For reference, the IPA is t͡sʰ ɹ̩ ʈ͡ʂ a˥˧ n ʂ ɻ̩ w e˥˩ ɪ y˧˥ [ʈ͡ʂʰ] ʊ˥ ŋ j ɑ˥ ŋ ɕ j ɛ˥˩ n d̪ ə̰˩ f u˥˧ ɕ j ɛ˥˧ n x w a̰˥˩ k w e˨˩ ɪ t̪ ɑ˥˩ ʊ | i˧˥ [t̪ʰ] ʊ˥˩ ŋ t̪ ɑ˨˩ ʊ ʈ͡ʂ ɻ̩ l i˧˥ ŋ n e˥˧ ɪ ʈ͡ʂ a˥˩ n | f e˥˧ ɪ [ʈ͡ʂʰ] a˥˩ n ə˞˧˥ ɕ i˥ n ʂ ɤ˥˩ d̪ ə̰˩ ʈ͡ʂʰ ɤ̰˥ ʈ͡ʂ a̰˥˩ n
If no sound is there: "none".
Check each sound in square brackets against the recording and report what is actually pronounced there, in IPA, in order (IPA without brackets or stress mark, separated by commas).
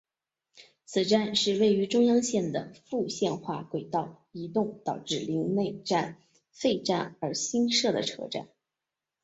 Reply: ʈ͡ʂ, t̪, ʈ͡ʂ